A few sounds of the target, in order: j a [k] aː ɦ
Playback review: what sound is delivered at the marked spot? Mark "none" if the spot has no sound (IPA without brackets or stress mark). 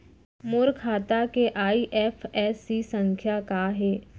k